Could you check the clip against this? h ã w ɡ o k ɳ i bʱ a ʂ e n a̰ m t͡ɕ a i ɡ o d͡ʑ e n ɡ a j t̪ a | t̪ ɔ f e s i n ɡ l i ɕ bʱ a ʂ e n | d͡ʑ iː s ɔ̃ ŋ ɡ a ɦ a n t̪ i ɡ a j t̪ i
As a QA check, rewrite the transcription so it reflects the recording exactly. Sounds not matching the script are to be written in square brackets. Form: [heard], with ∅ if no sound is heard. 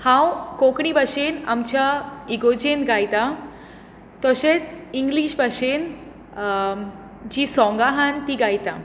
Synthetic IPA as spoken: h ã w [k] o k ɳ i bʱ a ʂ e n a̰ m t͡ɕ a i ɡ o d͡ʑ e n ɡ a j t̪ a | t̪ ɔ [ɕ] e [t͡s] i [ŋ] ɡ l i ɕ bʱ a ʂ e n | d͡ʑ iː s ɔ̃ ŋ ɡ a ɦ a n t̪ i ɡ a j t̪ [a]